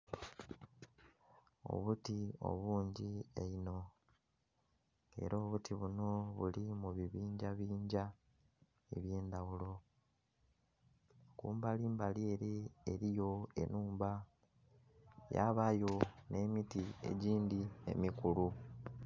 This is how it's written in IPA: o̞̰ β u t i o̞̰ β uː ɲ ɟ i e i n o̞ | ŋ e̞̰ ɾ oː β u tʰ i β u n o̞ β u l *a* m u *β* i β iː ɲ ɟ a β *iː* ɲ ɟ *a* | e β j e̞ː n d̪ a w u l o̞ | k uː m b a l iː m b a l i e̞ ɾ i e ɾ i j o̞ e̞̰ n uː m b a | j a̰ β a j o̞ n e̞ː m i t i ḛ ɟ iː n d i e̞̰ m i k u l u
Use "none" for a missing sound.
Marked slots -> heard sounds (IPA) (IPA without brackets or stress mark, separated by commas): i, β, iː, a